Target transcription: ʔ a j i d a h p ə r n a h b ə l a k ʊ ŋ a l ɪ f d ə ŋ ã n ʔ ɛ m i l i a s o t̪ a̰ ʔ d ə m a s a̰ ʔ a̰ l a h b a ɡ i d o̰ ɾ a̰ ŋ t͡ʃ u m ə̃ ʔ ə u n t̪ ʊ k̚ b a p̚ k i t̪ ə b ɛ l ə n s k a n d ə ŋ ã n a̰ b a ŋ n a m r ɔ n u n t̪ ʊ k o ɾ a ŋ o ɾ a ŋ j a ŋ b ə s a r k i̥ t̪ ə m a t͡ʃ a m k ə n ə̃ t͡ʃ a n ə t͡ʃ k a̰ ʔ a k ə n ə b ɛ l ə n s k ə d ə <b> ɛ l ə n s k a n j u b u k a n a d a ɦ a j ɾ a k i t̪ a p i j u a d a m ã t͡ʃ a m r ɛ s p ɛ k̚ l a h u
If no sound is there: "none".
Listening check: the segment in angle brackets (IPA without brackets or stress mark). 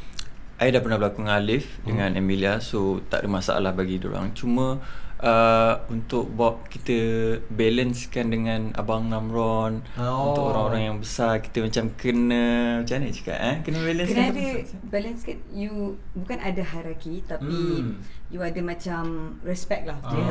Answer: b